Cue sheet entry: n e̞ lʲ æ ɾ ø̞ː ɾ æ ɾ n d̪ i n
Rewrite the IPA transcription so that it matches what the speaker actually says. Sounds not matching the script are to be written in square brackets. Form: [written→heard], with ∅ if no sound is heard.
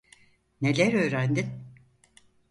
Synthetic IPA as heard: n e̞ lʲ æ ɾ ø̞ː ɾ æ [ɾ→∅] n d̪ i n